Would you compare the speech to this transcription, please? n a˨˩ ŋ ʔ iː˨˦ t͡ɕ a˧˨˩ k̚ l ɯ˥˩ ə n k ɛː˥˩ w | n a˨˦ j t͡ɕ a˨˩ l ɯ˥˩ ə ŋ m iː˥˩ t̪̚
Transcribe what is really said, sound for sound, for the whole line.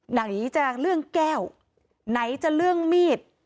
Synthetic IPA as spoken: n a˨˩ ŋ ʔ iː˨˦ t͡ɕ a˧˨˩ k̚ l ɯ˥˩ ə ŋ k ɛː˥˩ w | n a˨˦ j t͡ɕ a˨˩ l ɯ˥˩ ə ŋ m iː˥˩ t̪̚

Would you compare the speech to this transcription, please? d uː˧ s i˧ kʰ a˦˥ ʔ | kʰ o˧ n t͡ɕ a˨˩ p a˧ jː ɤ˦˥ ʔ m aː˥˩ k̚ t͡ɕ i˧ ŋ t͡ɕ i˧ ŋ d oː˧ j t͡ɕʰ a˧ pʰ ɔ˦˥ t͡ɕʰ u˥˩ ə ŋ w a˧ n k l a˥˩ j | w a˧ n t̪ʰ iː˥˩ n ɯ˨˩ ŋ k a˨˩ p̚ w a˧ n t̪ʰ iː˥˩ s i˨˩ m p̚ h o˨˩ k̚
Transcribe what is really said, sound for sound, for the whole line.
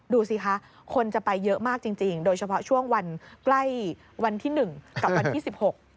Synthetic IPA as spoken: d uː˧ s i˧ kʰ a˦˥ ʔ | kʰ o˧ n t͡ɕ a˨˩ p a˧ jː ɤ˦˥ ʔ m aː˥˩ k̚ t͡ɕ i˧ ŋ t͡ɕ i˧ ŋ d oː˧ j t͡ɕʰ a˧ pʰ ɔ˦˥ t͡ɕʰ u˥˩ ə ŋ w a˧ n k l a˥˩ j | w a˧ n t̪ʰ iː˥˩ n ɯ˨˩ ŋ k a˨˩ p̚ w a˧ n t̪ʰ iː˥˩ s i˨˩ p̚ h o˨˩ k̚

